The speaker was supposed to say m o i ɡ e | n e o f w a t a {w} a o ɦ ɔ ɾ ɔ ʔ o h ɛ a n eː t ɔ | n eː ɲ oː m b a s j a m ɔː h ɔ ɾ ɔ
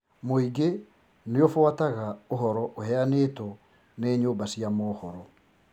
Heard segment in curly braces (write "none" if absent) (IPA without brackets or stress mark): ɣ